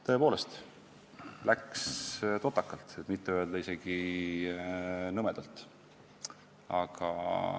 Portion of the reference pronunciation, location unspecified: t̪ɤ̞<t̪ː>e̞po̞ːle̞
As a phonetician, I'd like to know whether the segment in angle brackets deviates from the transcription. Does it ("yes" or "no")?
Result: yes